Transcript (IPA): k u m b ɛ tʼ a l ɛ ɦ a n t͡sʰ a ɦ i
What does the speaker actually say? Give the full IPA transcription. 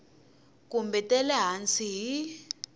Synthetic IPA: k u m b ɛ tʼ ɛ l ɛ ɦ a n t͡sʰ i ɦ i